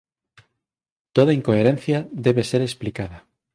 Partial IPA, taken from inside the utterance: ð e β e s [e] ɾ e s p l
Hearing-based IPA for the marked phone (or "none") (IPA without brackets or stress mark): e